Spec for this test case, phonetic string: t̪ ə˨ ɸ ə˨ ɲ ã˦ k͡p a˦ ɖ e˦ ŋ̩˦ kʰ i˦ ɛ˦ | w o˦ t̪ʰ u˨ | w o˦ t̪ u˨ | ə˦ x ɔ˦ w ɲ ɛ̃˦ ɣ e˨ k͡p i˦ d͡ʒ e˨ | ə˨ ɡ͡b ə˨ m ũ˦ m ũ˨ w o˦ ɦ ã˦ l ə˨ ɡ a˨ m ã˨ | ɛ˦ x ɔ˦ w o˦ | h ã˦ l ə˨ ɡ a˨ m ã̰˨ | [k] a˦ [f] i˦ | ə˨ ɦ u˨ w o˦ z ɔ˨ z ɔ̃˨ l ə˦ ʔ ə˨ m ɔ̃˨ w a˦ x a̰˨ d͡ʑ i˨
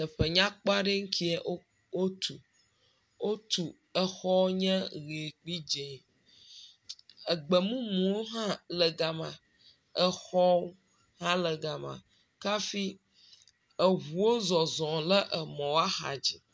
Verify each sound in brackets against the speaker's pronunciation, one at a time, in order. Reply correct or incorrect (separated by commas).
correct, correct